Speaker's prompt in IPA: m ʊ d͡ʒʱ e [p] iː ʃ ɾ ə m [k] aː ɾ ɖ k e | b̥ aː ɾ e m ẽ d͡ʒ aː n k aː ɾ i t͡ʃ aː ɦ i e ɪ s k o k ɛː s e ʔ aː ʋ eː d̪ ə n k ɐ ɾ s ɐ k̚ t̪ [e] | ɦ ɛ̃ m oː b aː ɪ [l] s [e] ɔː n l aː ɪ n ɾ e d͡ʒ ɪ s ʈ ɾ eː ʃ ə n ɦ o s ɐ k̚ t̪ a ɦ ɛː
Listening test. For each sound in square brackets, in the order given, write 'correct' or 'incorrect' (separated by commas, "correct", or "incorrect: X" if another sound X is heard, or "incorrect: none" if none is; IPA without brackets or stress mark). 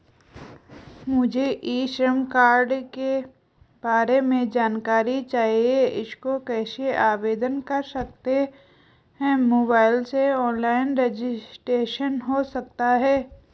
incorrect: ʔ, correct, correct, correct, correct